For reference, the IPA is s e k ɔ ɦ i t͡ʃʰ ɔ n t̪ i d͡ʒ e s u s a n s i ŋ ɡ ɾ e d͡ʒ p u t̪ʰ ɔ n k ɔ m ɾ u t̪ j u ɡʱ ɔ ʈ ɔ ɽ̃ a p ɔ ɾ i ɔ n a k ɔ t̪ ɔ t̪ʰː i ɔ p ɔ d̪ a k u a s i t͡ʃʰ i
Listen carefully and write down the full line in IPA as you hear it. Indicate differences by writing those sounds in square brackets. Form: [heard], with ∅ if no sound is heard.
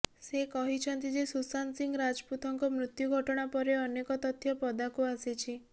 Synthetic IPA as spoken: s e k ɔ ɦ i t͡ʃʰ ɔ n t̪ i d͡ʒ e s u s a n s i ŋ ɡ ɾ [a] d͡ʒ p u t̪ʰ ɔ [ŋ] k ɔ m ɾ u t̪ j u ɡʱ ɔ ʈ ɔ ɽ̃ a p ɔ ɾ [e] ɔ n [e] k ɔ t̪ ɔ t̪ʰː [j] ɔ p ɔ d̪ a k u a s i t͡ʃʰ i